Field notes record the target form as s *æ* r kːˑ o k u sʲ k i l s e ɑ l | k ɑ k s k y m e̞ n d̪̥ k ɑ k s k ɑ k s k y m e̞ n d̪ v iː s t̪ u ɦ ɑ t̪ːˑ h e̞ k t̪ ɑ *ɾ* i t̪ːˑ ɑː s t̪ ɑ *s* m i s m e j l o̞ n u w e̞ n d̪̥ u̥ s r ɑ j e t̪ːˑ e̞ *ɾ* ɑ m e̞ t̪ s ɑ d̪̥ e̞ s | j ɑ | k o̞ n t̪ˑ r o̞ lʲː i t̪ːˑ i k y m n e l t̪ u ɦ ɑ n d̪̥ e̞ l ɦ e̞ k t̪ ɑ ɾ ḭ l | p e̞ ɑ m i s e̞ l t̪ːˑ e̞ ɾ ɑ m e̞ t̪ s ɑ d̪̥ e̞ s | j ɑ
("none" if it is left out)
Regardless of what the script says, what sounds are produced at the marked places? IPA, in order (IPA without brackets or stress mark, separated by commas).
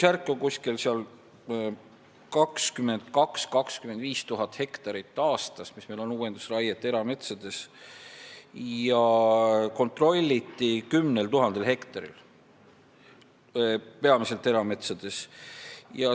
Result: æ, ɾ, s, ɾ